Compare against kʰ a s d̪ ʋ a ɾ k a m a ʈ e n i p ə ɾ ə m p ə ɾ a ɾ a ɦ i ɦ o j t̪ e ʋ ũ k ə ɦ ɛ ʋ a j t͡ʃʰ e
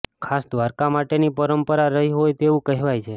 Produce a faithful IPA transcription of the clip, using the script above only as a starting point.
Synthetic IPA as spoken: kʰ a s d̪ ʋ a ɾ k a m a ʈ e n i p ə ɾ ə m p ə ɾ a ɾ ə ɦ i ɦ o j t̪ e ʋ ũ k ə ɦ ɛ ʋ a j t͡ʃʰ e